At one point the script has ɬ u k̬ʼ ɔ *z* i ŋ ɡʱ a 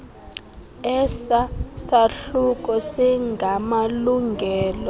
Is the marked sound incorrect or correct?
incorrect